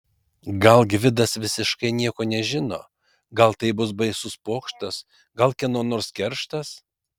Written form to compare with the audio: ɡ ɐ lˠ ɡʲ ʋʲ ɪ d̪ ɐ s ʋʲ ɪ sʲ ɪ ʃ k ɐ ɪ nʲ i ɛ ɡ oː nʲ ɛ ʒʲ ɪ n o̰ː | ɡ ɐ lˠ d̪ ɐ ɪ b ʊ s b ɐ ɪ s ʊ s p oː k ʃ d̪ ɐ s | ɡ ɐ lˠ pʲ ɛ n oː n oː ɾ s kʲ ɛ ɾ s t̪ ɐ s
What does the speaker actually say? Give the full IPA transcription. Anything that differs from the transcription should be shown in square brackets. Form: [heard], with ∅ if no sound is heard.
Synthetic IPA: ɡ ɐ lˠ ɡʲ ʋʲ ɪ d̪ ɐ s ʋʲ ɪ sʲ ɪ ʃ k ɐ ɪ nʲ i ɛ [k] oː nʲ ɛ ʒʲ ɪ n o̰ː | ɡ ɐ lˠ [t̪] ɐ ɪ b ʊ s b ɐ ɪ s ʊ s p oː k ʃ [t̪] ɐ s | ɡ ɐ lˠ [kʲ] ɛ n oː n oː ɾ s kʲ ɛ ɾ [ʃ] t̪ ɐ s